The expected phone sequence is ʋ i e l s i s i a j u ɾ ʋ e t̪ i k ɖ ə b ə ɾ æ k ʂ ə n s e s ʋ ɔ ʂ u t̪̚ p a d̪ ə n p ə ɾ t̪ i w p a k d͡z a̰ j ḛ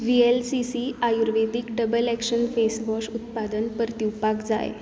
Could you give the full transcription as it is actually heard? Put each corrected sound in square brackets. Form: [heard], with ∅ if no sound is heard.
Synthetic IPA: ʋ i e l s i s i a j u ɾ ʋ e [d̪] i k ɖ ə b ə [l] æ k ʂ ə n [f] e s ʋ ɔ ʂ u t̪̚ p a d̪ ə n p ə ɾ t̪ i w p a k d͡z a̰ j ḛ